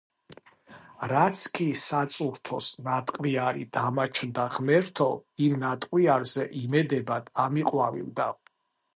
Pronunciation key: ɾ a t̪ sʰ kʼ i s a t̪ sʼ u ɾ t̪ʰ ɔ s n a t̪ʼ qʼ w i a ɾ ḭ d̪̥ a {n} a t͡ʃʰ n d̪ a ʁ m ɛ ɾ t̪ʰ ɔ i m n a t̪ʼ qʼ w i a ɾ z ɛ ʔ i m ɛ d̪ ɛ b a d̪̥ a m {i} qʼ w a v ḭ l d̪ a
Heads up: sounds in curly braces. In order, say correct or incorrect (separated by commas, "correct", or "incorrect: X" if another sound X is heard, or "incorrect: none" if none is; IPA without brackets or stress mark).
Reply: incorrect: m, correct